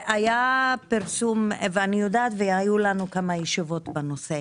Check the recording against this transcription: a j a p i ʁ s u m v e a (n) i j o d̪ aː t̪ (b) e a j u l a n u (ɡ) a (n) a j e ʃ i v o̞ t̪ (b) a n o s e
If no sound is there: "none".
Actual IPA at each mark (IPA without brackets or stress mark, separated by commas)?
n, v, k, m, b